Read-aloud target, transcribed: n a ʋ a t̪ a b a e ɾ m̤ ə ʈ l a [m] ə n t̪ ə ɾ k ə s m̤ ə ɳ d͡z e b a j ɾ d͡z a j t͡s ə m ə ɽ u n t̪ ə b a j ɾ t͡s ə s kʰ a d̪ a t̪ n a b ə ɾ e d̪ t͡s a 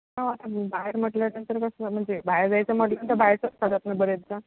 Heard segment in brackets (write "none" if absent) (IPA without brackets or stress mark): n